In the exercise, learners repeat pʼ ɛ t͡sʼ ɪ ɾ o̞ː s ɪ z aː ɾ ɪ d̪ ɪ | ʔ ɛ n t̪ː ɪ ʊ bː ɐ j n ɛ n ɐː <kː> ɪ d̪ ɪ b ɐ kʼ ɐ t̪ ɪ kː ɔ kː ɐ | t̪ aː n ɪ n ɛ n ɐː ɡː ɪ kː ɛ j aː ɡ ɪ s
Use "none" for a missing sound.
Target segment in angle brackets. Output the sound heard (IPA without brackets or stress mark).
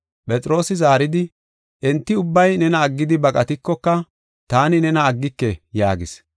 ɡː